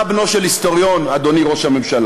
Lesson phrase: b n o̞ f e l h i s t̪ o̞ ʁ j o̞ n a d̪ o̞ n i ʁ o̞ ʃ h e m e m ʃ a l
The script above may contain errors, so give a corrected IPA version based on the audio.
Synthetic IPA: b n o̞ ʃ e l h i s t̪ o̞ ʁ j o̞ n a d̪ o̞ n i ʁ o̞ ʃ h a m e m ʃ a l